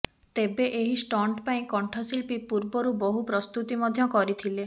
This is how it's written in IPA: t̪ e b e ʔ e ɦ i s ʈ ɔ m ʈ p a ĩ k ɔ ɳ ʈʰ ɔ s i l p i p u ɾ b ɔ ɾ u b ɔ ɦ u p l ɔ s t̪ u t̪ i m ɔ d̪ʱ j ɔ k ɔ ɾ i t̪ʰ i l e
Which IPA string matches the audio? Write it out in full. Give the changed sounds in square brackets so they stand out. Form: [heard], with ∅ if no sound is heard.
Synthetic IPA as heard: t̪ e b e ʔ e ɦ i s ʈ ɔ [ɳ] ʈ p a ĩ k ɔ ɳ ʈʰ ɔ s i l p i p u ɾ b ɔ ɾ u b ɔ ɦ u p [ɾ] ɔ s t̪ u t̪ i m ɔ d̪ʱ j ɔ k ɔ ɾ i t̪ʰ i l e